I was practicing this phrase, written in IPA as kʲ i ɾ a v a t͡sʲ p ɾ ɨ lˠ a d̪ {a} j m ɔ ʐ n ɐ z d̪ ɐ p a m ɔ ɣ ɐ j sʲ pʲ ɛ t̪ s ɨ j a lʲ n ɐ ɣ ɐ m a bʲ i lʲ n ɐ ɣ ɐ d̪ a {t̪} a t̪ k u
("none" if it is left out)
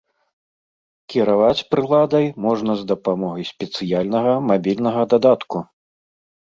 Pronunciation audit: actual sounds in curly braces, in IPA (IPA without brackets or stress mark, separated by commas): ɐ, d̪